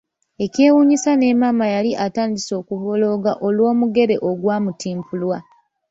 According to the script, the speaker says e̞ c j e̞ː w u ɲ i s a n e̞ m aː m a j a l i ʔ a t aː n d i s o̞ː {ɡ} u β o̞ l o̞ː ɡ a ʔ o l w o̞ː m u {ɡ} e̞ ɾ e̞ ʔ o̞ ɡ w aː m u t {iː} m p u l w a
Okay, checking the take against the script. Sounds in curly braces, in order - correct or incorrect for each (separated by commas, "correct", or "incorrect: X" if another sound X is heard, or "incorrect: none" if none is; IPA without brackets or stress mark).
incorrect: k, correct, correct